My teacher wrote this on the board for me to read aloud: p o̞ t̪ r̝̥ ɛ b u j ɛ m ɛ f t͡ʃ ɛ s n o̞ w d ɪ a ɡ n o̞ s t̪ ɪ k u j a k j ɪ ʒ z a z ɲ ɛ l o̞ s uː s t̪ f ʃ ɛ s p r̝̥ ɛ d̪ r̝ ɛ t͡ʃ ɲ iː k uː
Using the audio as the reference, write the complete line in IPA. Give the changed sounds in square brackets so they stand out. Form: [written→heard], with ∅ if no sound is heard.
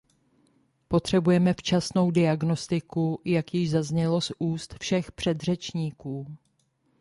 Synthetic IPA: p o̞ t̪ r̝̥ ɛ b u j ɛ m ɛ f t͡ʃ [ɛ→a] s n o̞ w d ɪ a ɡ n o̞ s t̪ ɪ k u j a k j ɪ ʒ z a z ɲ ɛ l o̞ s uː s t̪ f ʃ ɛ [s→x] p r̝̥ ɛ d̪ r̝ ɛ t͡ʃ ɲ iː k uː